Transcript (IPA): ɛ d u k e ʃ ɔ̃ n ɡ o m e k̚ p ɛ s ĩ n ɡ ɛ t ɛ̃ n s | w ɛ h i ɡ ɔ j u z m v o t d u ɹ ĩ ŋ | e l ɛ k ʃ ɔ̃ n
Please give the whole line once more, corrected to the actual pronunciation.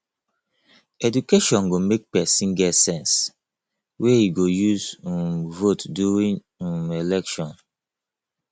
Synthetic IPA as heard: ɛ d u k e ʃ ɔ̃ n ɡ o m e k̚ p ɛ s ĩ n ɡ ɛ s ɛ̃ n s | w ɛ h i ɡ o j u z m v o t d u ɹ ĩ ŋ | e l ɛ k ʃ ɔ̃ n